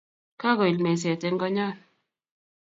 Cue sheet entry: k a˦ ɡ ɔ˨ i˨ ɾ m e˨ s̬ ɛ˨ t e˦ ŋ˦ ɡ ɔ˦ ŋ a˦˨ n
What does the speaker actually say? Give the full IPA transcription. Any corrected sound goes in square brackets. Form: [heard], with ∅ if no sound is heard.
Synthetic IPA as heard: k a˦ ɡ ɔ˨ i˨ [l] m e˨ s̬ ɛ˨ t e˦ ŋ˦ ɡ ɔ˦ [ɲ] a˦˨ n